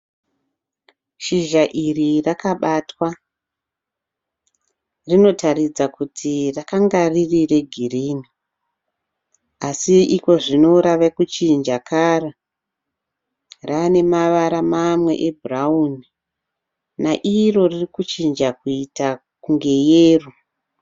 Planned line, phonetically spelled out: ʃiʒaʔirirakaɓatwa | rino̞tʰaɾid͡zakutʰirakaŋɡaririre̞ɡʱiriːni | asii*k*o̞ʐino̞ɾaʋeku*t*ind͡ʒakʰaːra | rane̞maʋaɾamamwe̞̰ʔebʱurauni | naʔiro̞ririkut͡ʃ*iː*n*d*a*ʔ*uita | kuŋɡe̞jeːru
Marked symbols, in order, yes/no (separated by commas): yes, no, no, no, no